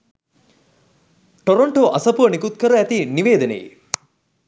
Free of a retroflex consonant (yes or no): no